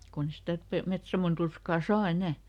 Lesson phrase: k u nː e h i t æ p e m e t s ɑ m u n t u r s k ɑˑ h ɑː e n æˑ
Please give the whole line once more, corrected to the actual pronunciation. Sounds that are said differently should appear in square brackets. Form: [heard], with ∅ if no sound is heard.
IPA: k u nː e [s] i t æ p e m e t s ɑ m [o] n t u r s k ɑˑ [s] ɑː e n æˑ